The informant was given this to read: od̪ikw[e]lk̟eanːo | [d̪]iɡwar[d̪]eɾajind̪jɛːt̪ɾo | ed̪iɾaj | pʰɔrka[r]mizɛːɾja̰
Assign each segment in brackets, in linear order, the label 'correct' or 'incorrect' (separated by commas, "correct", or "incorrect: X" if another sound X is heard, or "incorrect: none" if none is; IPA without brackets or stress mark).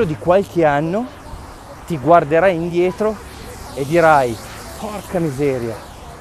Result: incorrect: a, incorrect: t̪, correct, incorrect: none